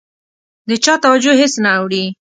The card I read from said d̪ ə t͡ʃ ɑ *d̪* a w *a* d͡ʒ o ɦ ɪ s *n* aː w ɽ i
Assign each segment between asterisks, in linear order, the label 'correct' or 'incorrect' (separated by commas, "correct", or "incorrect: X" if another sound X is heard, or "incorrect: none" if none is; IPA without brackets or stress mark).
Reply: incorrect: t̪, correct, correct